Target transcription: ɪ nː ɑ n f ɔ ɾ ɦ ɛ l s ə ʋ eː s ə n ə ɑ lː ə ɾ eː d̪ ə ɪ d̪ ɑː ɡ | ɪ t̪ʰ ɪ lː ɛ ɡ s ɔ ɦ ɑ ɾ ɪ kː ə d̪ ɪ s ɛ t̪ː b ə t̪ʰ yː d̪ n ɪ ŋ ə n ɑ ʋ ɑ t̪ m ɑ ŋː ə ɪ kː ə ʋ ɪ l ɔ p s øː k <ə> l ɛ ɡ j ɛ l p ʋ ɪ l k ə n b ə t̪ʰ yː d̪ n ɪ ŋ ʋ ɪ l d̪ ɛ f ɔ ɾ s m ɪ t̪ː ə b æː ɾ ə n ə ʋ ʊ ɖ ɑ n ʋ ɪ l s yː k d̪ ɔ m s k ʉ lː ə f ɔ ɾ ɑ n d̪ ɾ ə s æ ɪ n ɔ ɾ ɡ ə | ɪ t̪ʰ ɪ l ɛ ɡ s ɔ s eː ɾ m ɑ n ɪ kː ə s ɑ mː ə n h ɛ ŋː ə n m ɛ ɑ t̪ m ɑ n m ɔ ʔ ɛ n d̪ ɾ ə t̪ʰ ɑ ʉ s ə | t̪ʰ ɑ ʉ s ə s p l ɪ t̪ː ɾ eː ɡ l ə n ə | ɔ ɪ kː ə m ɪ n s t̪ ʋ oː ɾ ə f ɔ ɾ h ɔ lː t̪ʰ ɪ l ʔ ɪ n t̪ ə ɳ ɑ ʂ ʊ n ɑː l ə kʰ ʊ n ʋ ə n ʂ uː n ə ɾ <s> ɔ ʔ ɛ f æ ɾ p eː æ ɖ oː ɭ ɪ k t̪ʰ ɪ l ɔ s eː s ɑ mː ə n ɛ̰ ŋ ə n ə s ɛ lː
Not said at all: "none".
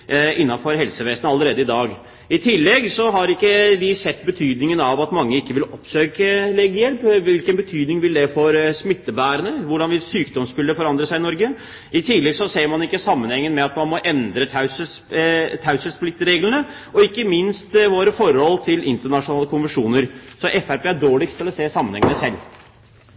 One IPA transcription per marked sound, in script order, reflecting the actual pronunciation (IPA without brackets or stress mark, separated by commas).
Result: ə, s